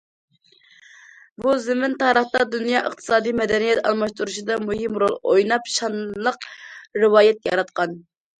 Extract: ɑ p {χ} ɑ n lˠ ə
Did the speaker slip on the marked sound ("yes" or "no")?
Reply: yes